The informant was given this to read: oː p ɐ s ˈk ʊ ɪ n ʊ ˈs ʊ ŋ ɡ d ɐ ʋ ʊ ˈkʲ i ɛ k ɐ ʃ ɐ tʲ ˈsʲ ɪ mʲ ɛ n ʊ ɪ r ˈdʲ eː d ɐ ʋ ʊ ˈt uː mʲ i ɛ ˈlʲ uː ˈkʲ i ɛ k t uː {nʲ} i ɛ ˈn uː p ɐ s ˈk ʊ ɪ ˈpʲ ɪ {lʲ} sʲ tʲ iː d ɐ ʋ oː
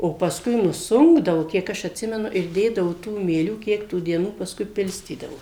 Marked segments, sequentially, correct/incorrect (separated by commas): incorrect, correct